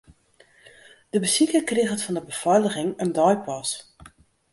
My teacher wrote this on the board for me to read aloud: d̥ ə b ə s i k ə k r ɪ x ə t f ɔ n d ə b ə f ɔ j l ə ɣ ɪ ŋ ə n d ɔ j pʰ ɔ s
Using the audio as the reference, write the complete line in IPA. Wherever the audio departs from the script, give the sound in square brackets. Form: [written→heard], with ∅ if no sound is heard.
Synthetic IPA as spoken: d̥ ə b ə s i k ə k r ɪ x ə t f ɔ n d ə b ə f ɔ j l ə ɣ ɪ ŋ ə n d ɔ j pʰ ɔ s

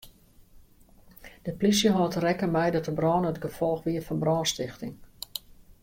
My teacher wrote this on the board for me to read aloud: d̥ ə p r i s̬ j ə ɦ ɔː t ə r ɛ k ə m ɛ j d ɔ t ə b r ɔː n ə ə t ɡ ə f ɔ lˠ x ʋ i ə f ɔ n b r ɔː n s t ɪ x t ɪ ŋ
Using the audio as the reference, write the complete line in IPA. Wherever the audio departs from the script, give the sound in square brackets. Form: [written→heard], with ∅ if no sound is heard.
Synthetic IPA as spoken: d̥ ə p [r→l] i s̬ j ə ɦ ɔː t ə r ɛ k ə m ɛ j d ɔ t ə b r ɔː n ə ə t ɡ ə f ɔ lˠ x ʋ i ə f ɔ n b r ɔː n s t ɪ x t ɪ ŋ

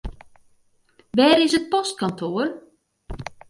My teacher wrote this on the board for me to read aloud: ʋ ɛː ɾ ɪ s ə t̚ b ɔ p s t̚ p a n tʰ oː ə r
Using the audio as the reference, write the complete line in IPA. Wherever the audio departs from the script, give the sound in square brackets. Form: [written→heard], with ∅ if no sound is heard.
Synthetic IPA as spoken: ʋ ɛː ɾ ɪ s ə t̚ [b→p] ɔ [p→∅] s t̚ [p→k] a n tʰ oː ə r

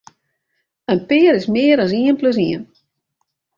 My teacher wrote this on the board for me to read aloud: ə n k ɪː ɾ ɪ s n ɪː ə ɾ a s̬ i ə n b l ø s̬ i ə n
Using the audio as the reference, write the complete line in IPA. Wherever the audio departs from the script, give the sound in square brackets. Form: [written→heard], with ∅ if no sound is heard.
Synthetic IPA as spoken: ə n [k→p] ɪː ɾ ɪ s [n→m] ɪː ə ɾ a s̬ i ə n [b→p] l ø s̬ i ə n

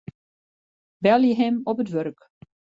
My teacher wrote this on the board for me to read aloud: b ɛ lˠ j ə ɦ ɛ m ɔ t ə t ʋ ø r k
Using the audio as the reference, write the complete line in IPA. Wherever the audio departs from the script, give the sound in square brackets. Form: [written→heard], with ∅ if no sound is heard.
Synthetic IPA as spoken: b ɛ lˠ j ə ɦ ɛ m ɔ [t→p] ə t ʋ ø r k

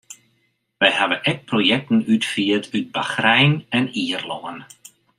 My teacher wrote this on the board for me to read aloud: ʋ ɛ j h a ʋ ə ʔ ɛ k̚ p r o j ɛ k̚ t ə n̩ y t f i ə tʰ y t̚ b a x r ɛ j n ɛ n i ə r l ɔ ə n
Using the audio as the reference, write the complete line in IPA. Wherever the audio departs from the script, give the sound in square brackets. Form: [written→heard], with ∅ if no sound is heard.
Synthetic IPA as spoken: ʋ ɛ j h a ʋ ə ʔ ɛ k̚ p r o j ɛ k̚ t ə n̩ y t f i ə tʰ y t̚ b a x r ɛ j n ɛ n i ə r l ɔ ə n

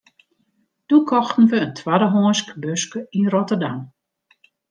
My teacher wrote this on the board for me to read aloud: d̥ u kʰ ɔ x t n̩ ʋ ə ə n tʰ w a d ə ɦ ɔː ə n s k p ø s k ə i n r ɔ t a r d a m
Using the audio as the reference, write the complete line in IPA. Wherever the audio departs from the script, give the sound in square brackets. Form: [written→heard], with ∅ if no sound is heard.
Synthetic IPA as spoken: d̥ u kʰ ɔ x t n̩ ʋ ə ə n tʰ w a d ə ɦ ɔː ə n s k [p→b] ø s k ə i n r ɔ t [a→ə] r d a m

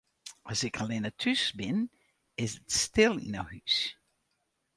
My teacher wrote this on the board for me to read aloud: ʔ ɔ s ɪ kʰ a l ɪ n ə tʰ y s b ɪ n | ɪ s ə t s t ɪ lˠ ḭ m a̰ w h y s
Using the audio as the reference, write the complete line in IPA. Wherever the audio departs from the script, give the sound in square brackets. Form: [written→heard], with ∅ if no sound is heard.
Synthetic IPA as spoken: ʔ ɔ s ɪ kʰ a l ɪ n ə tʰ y s b ɪ n | ɪ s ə t s t ɪ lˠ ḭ [m→n] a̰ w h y s

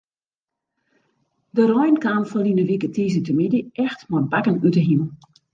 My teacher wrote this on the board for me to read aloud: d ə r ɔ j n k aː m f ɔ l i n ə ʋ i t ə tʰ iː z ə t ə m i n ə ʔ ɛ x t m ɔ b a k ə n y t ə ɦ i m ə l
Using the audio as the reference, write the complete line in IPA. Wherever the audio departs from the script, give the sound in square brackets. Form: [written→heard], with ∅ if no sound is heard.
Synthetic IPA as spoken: d ə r ɔ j n k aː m f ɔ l i n ə ʋ i [t→k] ə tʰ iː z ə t ə m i [n→d] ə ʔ ɛ x t m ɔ b a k ə n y t ə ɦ i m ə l

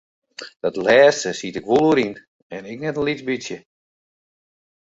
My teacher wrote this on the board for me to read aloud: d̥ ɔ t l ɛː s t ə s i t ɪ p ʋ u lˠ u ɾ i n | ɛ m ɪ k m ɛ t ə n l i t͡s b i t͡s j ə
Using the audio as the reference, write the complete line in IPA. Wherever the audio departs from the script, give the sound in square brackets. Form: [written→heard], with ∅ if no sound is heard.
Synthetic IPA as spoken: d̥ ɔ t l ɛː s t ə s i t ɪ [p→k] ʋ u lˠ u ɾ i n | ɛ [m→n] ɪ k [m→n] ɛ t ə n l i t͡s b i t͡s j ə

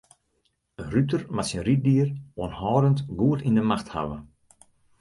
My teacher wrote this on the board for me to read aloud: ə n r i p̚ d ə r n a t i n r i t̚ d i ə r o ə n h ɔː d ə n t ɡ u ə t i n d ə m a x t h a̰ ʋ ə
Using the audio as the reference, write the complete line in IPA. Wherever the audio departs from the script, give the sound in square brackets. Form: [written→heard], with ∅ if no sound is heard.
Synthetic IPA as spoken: ə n r [i→y] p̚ [d→t] ə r [n→m] a [t→s] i n r i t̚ d i ə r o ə n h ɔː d ə n t ɡ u ə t i n d ə m a x t h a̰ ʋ ə

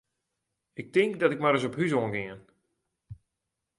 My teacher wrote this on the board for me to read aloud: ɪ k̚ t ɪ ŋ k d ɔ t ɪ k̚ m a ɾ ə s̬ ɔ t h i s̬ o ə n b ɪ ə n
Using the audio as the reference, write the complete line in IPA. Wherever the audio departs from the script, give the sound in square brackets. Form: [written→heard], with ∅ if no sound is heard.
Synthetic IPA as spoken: ɪ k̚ t ɪ ŋ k d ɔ t ɪ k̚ m a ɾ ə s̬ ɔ [t→p] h [i→y] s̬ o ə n [b→ɡ] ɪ ə n

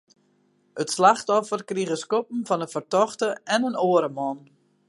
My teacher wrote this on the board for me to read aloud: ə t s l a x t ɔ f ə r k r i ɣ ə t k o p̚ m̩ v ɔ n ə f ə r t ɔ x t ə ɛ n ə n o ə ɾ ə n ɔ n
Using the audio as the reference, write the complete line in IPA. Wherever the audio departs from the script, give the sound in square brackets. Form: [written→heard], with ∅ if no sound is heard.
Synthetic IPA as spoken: ə t s l a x t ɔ f ə r k r i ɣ ə [t→s] k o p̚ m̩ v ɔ n ə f ə r t ɔ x t ə ɛ n ə n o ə ɾ ə [n→m] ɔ n

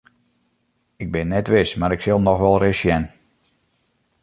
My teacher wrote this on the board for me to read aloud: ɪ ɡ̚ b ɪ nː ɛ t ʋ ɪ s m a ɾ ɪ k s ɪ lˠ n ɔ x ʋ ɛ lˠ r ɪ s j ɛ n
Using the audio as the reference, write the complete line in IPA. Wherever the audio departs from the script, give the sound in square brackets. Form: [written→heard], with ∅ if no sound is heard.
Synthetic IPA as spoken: ɪ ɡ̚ b ɪ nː ɛ t ʋ ɪ s m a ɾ ɪ k s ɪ lˠ n ɔ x ʋ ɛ lˠ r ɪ s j ɛ n

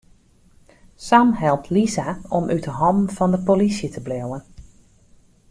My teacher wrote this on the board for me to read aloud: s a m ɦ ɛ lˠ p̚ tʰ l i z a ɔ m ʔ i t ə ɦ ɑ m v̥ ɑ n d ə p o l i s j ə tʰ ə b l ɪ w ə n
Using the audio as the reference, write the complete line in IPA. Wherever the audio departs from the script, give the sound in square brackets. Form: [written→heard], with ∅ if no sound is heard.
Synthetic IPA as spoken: s a m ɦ ɛ lˠ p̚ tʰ l i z a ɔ m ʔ [i→y] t ə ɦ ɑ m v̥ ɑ n d ə p o l i s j ə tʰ ə b l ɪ w ə n

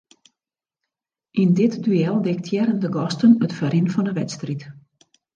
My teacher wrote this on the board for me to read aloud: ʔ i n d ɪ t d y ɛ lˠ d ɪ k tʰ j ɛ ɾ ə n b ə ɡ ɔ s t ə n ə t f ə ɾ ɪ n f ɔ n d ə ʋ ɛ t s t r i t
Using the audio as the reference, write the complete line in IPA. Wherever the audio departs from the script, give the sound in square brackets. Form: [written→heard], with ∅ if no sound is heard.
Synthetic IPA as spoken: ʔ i n d ɪ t d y ɛ lˠ d ɪ k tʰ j ɛ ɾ ə n [b→d] ə ɡ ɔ s t ə n ə t f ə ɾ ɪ n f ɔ n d ə ʋ ɛ t s t r i t

